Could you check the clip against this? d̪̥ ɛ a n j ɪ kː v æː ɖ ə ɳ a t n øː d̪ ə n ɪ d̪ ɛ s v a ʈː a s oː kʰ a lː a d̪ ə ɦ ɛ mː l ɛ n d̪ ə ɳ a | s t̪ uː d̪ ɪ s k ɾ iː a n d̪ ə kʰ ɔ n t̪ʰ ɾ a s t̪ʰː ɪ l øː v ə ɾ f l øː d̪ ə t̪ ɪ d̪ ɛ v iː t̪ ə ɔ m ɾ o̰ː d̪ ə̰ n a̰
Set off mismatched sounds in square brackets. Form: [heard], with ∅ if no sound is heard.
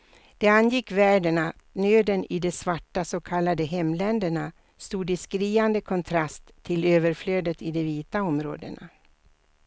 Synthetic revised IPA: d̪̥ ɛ a n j ɪ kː v æː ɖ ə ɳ a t n øː d̪ ə n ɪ d̪ ɛ s v a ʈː a s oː kʰ a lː a d̪ ə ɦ ɛ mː l ɛ n d̪ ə ɳ a | s t̪ uː d̪ ɪ s k ɾ iː a n d̪ ə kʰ ɔ n t̪ʰ ɾ a s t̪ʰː ɪ l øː v ə ɾ f l øː d̪ ə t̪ ɪ d̪ ɛ v iː t̪ [a] ɔ m ɾ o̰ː d̪ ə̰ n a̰